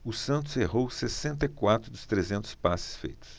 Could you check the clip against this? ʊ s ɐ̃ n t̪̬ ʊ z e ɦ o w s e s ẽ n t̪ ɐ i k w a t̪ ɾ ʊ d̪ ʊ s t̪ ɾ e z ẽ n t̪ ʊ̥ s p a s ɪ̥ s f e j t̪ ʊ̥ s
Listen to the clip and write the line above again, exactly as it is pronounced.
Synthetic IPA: ʊ s ɐ̃ n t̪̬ ʊ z e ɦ o w s e s ẽ n t̪ ɐ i k w a t̪ ɾ ʊ d̪ ʊ s t̪ ɾ e z ẽ n t̪ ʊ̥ s p a s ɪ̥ s f e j t̪ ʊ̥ s